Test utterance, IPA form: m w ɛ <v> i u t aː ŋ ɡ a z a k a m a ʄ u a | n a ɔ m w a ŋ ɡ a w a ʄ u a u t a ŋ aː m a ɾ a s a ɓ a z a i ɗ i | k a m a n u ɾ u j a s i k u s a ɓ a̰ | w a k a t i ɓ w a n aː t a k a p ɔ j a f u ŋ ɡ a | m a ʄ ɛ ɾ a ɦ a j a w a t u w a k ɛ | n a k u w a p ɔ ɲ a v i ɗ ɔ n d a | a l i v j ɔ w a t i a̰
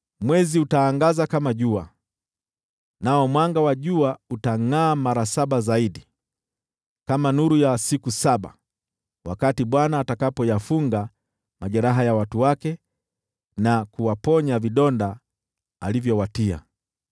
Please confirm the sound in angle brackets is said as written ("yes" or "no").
no